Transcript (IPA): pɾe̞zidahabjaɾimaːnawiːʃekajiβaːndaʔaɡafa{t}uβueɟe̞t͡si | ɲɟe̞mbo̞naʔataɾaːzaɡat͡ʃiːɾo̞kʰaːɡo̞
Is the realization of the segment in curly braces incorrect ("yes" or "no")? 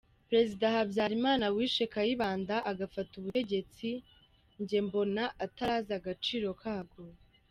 no